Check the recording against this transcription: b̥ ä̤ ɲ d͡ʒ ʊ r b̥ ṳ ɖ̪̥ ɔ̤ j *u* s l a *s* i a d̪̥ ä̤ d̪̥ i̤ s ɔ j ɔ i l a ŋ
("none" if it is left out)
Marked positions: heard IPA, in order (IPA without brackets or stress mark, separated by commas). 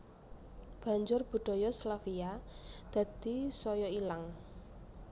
ɔ, f